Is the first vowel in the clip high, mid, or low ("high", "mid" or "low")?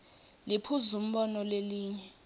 high